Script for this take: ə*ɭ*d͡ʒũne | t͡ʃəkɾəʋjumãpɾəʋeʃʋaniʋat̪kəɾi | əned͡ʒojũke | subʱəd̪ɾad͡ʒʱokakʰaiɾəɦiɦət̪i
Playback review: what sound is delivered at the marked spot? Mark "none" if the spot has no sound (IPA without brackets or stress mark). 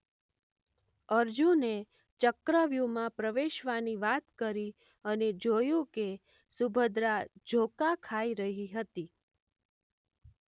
ɾ